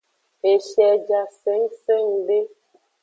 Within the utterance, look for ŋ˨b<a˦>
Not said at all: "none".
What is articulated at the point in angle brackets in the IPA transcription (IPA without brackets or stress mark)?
e˦